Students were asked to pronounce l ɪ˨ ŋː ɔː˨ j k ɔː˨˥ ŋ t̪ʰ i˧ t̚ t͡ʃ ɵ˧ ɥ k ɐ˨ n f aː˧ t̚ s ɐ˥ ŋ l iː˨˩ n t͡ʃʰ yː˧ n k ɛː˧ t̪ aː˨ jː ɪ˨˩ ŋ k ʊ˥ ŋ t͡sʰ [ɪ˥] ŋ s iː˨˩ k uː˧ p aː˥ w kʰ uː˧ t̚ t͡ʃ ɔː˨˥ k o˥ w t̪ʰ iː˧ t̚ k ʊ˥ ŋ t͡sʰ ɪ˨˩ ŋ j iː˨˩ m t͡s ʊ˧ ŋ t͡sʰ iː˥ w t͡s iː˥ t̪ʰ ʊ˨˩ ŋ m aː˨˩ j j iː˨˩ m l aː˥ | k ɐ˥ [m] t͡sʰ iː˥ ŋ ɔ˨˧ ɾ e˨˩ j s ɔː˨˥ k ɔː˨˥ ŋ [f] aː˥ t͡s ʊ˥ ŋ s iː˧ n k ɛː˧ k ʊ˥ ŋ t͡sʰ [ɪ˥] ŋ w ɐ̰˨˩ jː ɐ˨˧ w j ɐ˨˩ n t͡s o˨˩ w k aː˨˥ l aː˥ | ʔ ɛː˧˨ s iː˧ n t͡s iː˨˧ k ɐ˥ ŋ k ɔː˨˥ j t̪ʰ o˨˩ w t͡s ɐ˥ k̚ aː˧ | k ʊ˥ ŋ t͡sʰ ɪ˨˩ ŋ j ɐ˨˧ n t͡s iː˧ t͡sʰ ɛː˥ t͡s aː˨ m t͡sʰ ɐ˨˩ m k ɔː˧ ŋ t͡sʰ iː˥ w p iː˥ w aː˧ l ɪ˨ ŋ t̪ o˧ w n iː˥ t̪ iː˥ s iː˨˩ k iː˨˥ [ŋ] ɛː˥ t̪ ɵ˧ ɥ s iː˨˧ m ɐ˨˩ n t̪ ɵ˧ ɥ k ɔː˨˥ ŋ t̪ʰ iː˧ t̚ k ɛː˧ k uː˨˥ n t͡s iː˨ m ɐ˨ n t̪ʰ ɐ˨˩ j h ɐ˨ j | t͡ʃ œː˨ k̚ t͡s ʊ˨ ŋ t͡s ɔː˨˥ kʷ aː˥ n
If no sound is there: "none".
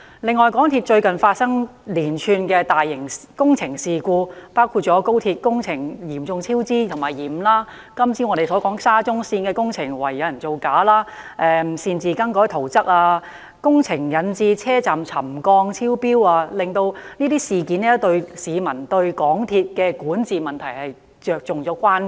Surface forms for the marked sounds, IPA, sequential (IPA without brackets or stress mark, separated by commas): ɪ˨˩, m, s, ɪ˨˩, n